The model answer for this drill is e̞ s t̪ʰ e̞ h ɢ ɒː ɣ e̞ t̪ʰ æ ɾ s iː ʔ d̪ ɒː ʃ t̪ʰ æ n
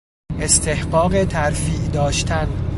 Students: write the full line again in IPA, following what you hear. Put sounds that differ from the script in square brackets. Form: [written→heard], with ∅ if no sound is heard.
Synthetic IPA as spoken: e̞ s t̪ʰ e̞ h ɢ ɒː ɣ e̞ t̪ʰ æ ɾ [s→f] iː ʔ d̪ ɒː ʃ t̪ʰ æ n